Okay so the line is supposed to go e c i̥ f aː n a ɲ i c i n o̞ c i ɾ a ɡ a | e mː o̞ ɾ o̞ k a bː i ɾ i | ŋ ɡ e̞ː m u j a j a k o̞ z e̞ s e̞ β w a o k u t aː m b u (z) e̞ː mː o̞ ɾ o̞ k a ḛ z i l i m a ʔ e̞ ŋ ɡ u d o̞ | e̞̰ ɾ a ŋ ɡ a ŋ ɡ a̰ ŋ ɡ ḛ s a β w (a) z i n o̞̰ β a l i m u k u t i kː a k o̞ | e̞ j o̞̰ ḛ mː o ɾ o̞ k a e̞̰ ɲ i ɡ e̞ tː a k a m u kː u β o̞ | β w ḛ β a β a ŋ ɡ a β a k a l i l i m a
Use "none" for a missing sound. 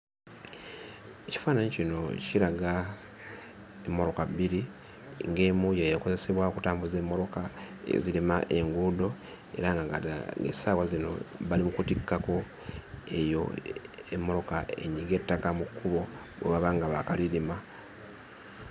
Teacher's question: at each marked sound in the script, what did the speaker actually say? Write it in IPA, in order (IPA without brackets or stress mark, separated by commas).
z, a